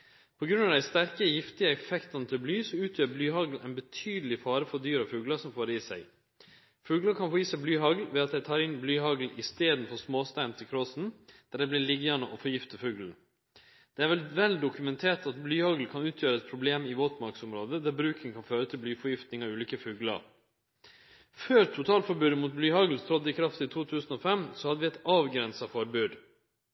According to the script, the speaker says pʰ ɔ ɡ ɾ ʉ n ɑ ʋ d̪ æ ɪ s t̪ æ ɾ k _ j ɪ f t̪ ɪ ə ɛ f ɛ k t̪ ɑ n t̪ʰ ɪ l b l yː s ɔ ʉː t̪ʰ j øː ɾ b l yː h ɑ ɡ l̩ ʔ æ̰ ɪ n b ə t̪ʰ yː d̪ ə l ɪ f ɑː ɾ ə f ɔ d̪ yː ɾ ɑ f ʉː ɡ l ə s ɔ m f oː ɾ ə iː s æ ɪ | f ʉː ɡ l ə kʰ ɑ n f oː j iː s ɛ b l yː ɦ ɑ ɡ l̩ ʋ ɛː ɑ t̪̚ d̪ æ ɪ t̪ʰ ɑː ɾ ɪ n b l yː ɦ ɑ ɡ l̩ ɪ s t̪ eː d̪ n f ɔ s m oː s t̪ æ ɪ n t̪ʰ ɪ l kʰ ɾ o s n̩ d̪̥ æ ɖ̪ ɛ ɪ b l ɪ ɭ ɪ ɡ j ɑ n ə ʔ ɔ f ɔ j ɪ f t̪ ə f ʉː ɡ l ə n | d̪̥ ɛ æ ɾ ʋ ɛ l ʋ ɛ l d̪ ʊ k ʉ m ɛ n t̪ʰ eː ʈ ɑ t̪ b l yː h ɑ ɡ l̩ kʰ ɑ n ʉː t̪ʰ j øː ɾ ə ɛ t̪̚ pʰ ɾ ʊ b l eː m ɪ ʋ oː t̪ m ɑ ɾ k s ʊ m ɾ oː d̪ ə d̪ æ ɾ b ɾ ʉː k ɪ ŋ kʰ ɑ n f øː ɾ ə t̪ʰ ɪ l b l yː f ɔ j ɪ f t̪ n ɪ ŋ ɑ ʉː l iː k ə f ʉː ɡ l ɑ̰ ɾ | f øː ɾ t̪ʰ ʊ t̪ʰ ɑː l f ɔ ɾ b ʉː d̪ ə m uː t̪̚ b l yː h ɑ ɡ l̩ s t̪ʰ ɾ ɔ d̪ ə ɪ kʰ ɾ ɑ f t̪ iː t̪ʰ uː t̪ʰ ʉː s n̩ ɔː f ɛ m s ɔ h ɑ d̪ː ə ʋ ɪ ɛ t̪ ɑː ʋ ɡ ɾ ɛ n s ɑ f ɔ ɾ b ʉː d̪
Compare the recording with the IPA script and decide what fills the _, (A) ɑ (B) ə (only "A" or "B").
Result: B